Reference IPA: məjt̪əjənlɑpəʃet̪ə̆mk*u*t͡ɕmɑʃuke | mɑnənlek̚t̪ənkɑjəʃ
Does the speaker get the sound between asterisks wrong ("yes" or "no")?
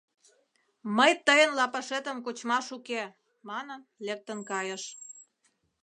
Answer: yes